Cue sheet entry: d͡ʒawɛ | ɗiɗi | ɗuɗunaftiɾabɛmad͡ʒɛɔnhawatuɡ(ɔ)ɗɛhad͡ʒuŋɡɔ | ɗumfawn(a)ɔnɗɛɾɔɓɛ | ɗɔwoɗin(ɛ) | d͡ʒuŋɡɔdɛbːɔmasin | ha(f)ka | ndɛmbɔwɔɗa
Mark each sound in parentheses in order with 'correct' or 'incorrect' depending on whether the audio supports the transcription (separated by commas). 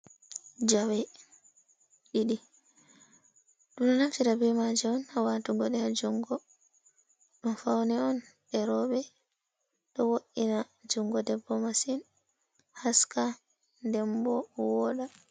correct, incorrect, incorrect, incorrect